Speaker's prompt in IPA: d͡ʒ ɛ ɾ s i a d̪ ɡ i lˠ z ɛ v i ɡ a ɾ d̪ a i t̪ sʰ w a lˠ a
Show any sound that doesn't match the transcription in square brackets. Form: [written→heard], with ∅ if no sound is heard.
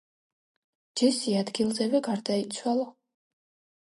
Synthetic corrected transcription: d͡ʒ ɛ [ɾ→∅] s i a d̪ ɡ i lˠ z ɛ v [i→ɛ] ɡ a ɾ d̪ a i t̪ sʰ w a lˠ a